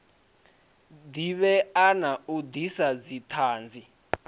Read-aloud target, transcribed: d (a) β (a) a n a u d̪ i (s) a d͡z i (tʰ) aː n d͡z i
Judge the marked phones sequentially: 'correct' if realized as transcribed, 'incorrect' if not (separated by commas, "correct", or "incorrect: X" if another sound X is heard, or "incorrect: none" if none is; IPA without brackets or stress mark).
incorrect: i, incorrect: ɛ, correct, correct